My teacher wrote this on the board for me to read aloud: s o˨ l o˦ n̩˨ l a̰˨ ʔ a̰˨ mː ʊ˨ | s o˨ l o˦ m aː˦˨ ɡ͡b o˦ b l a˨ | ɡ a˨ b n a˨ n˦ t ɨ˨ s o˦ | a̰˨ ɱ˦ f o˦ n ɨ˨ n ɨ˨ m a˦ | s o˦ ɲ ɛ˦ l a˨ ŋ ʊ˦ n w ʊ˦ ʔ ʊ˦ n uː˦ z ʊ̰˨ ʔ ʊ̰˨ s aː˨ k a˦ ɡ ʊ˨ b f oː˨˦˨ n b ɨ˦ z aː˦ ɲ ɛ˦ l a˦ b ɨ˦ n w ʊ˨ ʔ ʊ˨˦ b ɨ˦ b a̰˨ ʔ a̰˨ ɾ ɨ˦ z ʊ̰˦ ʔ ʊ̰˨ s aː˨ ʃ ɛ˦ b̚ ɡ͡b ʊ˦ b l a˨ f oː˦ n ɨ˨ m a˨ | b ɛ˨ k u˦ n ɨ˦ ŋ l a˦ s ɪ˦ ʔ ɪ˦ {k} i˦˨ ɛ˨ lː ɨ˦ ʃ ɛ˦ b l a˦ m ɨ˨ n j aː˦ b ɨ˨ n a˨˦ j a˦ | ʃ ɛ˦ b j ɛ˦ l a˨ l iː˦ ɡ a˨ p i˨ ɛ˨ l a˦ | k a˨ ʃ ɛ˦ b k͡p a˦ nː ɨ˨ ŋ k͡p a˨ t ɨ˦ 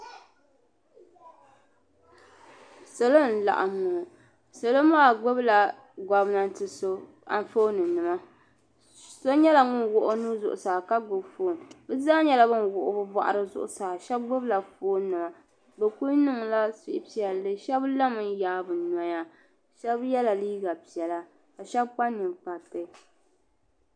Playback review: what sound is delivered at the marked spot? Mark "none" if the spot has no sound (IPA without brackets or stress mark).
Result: p